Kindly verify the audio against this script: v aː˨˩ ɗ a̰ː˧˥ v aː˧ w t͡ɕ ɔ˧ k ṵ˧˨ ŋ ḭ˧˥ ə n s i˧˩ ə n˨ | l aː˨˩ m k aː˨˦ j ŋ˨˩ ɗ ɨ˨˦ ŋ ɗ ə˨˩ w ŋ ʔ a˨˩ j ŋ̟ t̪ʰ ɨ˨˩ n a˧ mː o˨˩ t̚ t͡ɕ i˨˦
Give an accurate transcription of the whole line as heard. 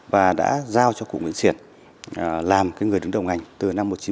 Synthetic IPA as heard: v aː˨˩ ɗ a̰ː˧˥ z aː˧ w t͡ɕ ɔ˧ k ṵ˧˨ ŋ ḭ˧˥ ə n s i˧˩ ə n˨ | l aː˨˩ m k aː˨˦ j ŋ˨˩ ɗ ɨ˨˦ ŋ ɗ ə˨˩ w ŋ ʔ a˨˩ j ŋ̟ t̪ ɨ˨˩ n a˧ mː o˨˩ t̚ t͡ɕ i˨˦